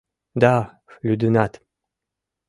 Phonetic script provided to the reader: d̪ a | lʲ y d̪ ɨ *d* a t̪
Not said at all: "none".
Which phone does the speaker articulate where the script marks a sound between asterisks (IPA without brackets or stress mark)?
n